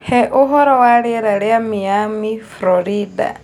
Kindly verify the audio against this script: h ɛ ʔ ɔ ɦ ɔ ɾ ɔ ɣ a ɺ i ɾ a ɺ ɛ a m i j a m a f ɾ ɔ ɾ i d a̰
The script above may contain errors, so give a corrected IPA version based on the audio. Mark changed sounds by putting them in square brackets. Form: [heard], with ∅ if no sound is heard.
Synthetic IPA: h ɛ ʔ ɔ ɦ ɔ ɾ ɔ [w] a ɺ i ɾ a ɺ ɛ a m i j a m [i] f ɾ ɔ ɾ i d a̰

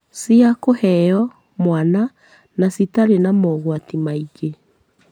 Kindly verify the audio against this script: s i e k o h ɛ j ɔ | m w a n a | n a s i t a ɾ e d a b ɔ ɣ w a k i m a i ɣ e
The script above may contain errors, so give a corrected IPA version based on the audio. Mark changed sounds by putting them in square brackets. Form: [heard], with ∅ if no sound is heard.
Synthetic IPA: s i [a] k o h ɛ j ɔ | m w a n a | n a s i t a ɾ e [n] a [m] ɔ ɣ w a [t] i m a i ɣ e

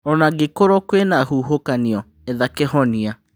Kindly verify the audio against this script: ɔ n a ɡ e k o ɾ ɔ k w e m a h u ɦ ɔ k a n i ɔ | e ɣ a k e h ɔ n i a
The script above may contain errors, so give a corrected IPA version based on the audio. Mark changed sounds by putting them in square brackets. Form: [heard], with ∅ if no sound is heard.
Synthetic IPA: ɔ n a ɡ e k o ɾ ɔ k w e [n] a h u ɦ [o] k a n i ɔ | e [ð] a k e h ɔ n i a

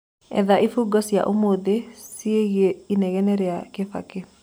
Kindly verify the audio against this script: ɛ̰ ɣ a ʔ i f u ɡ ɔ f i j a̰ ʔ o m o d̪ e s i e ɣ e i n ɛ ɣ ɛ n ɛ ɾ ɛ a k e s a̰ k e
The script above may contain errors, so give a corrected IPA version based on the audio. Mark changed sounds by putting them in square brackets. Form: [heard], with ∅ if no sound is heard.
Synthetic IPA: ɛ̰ [ð] a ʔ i f u ɡ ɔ [s] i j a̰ ʔ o m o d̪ e s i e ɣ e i n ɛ ɣ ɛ n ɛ ɾ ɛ a k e [f] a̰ k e

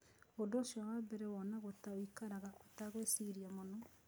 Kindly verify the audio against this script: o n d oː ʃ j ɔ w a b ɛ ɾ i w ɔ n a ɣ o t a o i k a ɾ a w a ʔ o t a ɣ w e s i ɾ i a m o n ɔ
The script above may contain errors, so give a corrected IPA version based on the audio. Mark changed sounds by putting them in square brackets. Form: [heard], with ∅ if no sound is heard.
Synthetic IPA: o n d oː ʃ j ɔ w a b ɛ ɾ [ɛ] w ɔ n a ɣ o t a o i k a ɾ a [ɣ] a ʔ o t a ɣ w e s i ɾ i a m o n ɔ

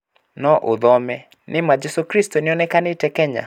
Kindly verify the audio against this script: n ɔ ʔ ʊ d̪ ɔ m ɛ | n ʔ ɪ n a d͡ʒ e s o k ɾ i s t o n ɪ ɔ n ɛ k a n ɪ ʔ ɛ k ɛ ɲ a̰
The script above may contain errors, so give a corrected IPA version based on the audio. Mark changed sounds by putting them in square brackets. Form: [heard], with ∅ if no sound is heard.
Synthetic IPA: n ɔ ʔ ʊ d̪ ɔ m ɛ | n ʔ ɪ [m] a d͡ʒ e s o k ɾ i s t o n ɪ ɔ n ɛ k a n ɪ [t] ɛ k ɛ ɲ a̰

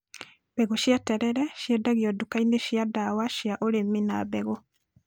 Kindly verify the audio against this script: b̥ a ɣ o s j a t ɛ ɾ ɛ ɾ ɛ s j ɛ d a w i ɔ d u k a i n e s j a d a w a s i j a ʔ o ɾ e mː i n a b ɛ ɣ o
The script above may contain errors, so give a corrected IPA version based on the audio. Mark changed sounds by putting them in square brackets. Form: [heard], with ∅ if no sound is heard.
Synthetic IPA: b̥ [ɛ] ɣ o [ʃ] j a t ɛ ɾ ɛ ɾ ɛ [ʃ] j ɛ d a [ɣ] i ɔ d u k a i n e [ʃ] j a d a w a [ʃ] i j a ʔ o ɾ e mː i n a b ɛ ɣ o

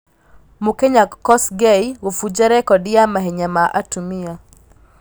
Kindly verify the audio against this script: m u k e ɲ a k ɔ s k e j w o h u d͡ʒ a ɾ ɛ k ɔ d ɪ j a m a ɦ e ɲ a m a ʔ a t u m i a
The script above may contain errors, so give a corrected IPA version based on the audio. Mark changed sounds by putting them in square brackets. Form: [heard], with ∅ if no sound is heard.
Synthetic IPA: m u k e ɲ a k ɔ s [ɡ] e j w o [f] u d͡ʒ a ɾ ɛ k ɔ d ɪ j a m a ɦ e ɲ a m a ʔ a t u m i a

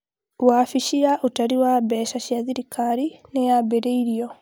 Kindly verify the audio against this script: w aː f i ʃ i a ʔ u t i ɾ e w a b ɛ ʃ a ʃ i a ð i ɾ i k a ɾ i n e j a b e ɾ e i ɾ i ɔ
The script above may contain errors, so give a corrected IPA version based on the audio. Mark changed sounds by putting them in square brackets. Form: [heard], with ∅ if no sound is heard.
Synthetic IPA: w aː f i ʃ i a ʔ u t [a] ɾ [i] w a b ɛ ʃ a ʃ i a ð i ɾ i k a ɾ i n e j a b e ɾ e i ɾ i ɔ

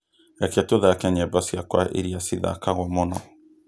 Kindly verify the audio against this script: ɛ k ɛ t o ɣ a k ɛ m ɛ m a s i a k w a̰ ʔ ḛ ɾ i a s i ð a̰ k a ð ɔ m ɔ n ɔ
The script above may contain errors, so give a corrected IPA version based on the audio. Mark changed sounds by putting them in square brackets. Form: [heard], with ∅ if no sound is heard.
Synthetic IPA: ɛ k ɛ t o [ð] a k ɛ [ɲ] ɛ [b] a s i a k w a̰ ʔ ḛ ɾ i a s i ð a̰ k a [ɣ] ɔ m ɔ n ɔ

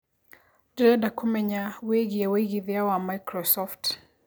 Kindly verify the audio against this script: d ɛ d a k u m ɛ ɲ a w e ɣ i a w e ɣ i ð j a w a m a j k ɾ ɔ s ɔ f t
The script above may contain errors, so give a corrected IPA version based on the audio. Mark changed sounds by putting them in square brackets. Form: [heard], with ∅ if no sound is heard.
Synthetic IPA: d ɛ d a k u m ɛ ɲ a w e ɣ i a w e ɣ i ð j a w a m a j k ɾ ɔ s ɔ f t

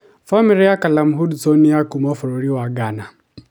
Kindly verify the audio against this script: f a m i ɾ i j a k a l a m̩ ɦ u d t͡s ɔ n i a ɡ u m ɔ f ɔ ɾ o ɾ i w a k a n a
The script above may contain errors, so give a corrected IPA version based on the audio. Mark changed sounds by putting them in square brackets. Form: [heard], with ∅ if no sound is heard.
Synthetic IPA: f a m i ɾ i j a k a l a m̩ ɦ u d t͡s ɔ n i a [k] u m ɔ f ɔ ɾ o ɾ i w a [ɡ] a n a

